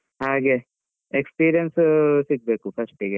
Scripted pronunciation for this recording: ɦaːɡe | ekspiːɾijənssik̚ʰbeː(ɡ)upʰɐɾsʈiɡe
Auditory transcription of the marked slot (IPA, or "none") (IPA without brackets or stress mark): k